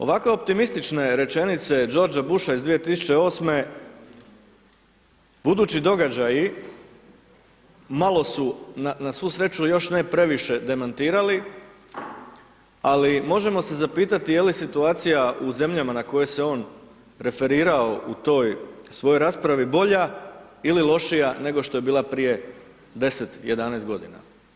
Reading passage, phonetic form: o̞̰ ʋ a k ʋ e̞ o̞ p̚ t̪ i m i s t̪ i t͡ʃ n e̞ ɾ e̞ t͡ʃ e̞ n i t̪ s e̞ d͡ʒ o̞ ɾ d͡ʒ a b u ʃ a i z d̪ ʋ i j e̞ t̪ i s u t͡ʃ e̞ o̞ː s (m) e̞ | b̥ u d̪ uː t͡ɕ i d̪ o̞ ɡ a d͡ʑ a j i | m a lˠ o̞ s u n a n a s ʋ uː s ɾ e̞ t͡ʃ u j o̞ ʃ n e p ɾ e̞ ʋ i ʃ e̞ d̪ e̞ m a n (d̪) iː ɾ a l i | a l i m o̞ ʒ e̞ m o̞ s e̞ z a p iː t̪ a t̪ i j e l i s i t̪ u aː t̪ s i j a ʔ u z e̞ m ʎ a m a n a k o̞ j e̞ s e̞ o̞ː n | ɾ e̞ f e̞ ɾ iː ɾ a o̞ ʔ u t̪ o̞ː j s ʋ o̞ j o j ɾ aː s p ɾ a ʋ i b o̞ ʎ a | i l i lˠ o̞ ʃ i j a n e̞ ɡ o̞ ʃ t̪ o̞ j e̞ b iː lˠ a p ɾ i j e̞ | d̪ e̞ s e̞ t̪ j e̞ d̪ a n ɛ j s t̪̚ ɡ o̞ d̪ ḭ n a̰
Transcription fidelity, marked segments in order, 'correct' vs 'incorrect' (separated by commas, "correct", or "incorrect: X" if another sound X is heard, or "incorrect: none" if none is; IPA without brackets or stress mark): correct, incorrect: t̪